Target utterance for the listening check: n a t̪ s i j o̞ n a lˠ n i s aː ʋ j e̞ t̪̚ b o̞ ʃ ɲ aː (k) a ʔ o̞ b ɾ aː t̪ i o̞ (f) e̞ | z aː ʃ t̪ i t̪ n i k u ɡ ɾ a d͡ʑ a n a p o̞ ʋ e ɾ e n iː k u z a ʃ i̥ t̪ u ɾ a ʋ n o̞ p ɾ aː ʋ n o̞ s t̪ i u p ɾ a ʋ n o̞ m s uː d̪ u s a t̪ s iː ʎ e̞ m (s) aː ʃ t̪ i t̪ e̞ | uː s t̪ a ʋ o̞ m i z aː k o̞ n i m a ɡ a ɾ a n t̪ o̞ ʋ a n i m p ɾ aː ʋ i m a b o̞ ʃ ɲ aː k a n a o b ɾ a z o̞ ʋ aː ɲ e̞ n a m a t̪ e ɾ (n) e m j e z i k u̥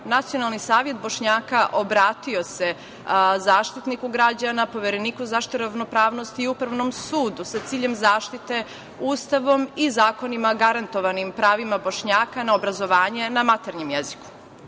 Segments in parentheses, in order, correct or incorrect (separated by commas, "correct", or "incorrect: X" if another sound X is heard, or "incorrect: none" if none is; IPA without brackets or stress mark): correct, incorrect: s, incorrect: z, incorrect: ɲ